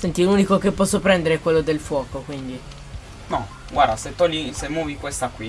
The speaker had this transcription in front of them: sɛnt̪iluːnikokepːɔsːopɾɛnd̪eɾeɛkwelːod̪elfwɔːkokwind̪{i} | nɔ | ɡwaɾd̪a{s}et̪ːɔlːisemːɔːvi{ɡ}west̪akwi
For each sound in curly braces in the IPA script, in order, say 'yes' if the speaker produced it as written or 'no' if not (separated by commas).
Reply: yes, yes, no